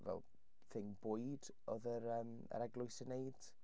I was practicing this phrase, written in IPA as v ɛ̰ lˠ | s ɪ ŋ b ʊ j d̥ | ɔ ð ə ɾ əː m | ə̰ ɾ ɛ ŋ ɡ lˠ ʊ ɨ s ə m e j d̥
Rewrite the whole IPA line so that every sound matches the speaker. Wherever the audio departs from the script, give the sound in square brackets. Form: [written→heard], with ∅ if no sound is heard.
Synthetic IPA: v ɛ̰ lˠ | [s→θ] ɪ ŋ b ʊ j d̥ | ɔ ð ə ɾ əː m | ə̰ ɾ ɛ [ŋ→∅] ɡ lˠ ʊ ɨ s ə [m→n] e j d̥